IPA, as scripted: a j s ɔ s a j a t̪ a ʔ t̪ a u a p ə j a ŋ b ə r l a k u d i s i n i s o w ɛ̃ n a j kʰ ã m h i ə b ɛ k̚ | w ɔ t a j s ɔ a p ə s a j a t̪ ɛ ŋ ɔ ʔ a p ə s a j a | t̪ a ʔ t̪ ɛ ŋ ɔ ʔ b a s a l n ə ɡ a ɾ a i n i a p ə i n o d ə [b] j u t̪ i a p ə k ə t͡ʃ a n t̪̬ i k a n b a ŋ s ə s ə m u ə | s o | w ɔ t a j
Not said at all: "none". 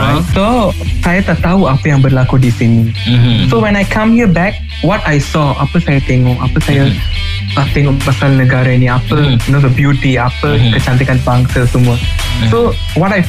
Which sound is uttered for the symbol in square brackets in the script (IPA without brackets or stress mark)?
b